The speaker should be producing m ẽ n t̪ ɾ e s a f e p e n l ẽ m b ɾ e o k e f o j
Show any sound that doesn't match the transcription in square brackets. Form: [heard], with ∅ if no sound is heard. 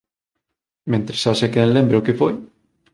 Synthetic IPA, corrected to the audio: m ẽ n t̪ ɾ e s a [s] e [k] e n l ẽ m b ɾ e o k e f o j